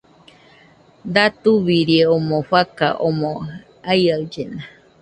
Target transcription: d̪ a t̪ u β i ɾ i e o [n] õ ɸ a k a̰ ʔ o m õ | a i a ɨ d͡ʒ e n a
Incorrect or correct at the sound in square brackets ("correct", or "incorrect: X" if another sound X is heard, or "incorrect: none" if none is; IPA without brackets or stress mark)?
incorrect: m